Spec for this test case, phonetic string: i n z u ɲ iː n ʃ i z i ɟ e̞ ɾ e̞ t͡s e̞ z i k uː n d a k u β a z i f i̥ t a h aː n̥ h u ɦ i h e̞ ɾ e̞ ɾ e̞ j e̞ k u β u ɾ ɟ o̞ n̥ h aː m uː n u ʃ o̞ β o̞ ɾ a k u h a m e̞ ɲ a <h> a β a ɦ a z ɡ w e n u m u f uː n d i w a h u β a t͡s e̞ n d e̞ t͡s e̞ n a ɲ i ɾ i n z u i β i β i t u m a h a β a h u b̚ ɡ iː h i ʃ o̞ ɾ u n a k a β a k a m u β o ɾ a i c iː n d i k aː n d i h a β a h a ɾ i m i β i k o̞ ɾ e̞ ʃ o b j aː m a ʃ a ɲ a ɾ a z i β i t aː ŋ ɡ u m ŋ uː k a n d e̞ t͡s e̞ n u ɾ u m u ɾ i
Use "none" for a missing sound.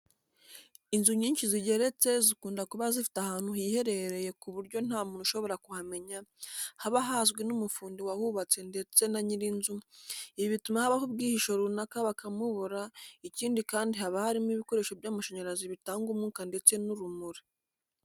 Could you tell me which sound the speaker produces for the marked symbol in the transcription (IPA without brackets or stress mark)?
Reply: h